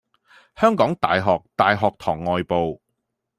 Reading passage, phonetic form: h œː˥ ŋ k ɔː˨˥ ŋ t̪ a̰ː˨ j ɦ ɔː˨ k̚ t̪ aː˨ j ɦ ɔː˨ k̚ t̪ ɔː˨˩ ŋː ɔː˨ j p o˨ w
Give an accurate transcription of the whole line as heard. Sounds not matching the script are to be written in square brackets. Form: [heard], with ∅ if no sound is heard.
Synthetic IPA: h œː˥ ŋ k ɔː˨˥ ŋ t̪ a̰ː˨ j ɦ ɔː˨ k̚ t̪ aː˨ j ɦ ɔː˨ k̚ [t̪ʰ] ɔː˨˩ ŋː ɔː˨ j p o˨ w